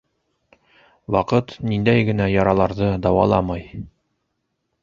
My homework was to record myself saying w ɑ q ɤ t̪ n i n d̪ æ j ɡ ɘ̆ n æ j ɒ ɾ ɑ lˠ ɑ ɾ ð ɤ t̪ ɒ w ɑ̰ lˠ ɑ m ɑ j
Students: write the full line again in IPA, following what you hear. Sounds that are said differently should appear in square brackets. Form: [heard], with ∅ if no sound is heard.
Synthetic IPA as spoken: w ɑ q ɤ t̪ n i n d̪ æ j ɡ ɘ̆ n æ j ɒ ɾ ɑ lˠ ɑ ɾ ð ɤ [d̪] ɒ w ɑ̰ lˠ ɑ m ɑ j